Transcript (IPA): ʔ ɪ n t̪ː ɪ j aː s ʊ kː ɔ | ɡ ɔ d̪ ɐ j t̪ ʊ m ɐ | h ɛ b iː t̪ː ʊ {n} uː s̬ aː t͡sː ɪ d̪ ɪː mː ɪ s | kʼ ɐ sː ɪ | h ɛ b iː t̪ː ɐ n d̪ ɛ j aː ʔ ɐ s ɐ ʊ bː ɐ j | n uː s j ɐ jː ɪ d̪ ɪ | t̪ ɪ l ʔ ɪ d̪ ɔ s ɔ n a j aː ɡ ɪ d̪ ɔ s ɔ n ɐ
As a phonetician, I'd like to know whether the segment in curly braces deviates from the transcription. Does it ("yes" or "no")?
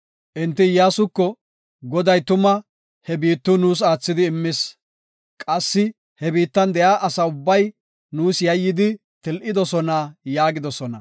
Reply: no